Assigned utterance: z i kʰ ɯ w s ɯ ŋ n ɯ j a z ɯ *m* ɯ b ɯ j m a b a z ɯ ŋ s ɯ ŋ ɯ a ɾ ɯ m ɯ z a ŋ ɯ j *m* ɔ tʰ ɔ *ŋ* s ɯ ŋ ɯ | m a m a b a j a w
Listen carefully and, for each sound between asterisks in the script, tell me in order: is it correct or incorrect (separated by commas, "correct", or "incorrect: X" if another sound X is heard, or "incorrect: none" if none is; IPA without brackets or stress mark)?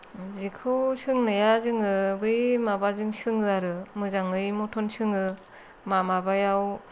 incorrect: ŋ, correct, incorrect: n